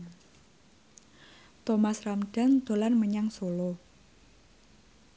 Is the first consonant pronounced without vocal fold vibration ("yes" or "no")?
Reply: yes